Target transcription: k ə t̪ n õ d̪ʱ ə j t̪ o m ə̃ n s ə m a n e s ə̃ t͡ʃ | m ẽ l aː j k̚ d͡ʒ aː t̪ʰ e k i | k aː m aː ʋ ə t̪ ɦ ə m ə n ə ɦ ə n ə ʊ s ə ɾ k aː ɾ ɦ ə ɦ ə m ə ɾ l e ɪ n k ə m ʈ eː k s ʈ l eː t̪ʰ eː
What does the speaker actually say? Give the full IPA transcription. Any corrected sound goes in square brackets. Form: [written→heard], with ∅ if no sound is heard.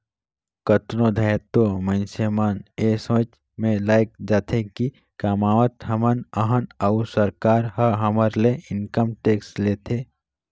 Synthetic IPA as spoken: k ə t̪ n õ d̪ʱ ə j t̪ o m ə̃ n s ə m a n e s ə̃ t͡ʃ | m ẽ l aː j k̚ d͡ʒ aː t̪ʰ e k i | k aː m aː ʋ ə t̪ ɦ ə m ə n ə ɦ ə n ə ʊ s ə ɾ k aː ɾ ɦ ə ɦ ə m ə ɾ l e ɪ n k ə m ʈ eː k s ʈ l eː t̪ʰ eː